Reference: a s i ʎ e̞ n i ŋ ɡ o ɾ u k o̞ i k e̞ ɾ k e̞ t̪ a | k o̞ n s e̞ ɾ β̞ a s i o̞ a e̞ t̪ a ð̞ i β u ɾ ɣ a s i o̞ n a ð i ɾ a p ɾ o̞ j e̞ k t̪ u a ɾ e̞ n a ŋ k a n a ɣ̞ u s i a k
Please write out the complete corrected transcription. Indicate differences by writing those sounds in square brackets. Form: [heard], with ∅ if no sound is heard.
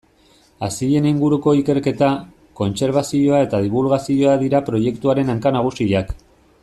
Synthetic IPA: a s i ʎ e̞ n i ŋ ɡ [u] ɾ u k o̞ i k e̞ ɾ k e̞ t̪ a | k o̞ n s e̞ ɾ β̞ a s i o̞ a e̞ t̪ a ð̞ i β u [l] ɣ a s i o̞ [∅] a ð i ɾ a p ɾ o̞ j e̞ k t̪ u a ɾ e̞ n a ŋ k a n a ɣ̞ u s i a k